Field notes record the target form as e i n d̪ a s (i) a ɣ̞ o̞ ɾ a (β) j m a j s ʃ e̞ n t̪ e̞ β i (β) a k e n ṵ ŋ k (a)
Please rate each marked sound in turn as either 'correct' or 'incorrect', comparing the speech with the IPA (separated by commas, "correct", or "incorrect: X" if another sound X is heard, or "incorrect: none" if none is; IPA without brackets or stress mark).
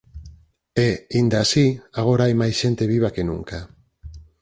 correct, incorrect: none, correct, correct